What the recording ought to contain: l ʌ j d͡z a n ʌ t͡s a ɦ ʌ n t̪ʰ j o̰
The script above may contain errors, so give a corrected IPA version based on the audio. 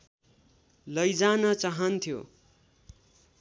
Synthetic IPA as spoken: l ʌ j d͡z a n ʌ t͡s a ɦ ʌ n t̪ʰ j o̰